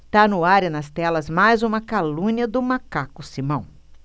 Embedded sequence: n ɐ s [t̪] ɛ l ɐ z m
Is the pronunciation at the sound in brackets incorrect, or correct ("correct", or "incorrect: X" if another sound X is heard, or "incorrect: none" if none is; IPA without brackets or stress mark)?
correct